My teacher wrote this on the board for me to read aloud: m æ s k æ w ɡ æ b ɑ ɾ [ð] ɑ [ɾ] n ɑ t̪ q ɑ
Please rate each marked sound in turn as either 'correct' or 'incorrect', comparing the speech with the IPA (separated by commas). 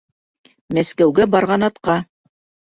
incorrect, incorrect